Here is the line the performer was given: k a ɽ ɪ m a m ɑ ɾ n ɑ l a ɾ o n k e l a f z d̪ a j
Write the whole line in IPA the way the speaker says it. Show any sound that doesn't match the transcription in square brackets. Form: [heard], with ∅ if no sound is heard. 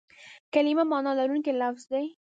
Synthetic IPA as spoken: k a [l] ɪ m a m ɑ [∅] n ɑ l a ɾ [u] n k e l a f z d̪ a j